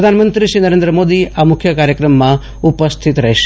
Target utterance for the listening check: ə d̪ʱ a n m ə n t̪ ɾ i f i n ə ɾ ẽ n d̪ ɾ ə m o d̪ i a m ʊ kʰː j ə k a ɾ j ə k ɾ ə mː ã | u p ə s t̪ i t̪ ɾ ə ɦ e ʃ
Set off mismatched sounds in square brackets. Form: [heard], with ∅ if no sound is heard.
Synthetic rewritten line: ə d̪ʱ a n m ə n t̪ ɾ i [ʃ] i n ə ɾ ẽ n d̪ ɾ ə m o d̪ i a m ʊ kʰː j ə k a ɾ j ə k ɾ ə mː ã | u p ə s [t̪ʰ] i t̪ ɾ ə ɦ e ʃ